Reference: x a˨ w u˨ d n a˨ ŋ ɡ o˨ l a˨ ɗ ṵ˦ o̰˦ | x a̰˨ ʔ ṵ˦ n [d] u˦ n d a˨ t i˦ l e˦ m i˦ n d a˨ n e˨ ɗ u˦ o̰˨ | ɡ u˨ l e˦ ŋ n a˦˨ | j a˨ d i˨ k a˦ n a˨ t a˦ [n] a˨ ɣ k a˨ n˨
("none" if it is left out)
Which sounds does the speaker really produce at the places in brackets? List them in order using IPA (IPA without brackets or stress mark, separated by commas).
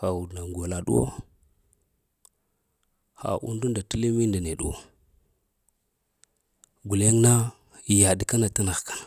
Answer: d, n